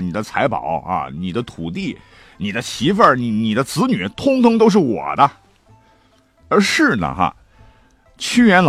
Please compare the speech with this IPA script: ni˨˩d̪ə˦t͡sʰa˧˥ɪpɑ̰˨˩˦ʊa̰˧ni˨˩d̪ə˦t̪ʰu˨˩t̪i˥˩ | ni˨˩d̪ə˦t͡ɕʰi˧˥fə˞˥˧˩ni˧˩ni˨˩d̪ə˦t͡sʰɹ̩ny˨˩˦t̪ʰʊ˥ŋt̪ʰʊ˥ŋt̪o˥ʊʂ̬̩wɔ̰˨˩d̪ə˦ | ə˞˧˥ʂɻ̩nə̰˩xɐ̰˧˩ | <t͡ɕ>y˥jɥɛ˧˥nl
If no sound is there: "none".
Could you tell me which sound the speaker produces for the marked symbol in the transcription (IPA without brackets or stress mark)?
t͡ɕʰ